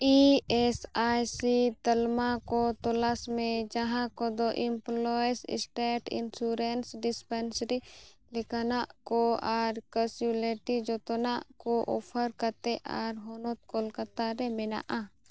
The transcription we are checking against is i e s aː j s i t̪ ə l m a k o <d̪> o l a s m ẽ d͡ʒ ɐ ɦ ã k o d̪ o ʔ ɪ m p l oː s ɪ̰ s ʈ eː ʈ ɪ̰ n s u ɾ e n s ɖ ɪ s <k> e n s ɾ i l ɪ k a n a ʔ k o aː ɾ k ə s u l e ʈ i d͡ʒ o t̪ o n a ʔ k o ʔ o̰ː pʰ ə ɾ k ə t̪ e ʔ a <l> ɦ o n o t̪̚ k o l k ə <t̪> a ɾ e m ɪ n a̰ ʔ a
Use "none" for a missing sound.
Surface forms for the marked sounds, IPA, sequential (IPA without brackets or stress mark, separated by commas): t̪, p, ɾ, t̪